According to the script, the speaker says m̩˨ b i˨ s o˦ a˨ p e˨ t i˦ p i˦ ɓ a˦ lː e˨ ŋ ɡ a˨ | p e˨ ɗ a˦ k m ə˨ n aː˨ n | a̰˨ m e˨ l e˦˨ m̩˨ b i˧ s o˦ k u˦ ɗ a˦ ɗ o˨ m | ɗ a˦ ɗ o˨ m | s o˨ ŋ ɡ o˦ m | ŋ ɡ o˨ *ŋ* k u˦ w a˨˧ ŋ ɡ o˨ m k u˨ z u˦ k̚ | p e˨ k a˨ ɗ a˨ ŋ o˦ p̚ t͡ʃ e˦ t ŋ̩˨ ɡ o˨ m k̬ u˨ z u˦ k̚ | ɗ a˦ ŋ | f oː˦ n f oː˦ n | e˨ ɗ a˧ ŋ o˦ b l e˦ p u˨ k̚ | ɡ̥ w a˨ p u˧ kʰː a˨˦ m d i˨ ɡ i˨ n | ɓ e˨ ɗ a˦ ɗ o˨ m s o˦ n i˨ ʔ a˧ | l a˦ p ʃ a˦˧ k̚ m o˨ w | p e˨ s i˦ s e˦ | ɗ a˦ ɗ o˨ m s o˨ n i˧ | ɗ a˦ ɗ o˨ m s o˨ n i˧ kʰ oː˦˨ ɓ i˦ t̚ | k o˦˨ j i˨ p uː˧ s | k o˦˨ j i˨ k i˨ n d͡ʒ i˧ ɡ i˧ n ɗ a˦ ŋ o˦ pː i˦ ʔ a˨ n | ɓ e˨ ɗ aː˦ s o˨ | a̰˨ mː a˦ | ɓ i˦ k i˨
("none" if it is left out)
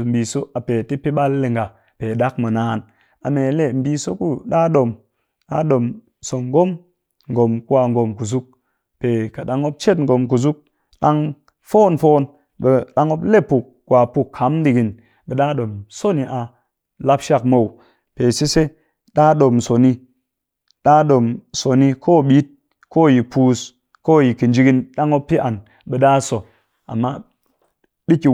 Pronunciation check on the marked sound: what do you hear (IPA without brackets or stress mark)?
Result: m